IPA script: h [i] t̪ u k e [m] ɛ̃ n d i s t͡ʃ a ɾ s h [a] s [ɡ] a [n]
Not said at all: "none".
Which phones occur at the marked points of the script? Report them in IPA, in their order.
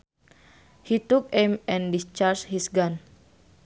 i, m, i, ɡ, n

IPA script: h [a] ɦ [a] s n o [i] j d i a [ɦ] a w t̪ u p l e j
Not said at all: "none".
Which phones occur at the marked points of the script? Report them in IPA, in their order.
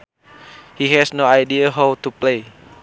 i, ɛ, a, ɦ

